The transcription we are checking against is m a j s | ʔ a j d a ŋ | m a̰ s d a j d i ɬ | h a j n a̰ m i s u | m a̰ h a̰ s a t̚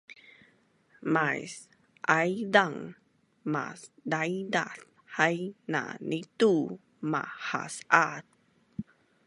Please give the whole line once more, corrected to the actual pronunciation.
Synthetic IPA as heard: m a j s | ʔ a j d a ŋ | m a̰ s d a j d a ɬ | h a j n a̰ n i t u | m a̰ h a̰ s a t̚